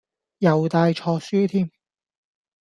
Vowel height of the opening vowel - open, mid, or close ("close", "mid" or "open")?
open